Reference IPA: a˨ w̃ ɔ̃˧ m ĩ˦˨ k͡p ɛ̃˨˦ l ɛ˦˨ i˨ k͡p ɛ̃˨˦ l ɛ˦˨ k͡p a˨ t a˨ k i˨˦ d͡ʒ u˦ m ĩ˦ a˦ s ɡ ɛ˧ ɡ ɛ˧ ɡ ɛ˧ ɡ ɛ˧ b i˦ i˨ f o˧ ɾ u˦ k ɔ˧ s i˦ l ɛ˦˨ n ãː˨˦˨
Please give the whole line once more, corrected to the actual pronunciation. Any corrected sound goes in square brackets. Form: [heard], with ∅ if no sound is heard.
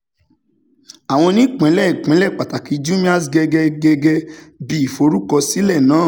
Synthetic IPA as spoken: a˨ w̃ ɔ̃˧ [n] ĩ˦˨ k͡p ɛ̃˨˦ l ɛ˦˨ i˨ k͡p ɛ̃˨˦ l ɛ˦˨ k͡p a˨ t a˨ k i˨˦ d͡ʒ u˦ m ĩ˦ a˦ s ɡ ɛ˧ ɡ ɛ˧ ɡ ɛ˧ ɡ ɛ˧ b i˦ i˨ f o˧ ɾ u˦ k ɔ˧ s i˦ l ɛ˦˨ n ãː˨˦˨